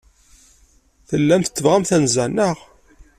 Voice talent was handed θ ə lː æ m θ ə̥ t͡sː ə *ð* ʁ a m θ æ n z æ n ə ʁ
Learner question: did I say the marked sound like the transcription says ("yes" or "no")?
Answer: no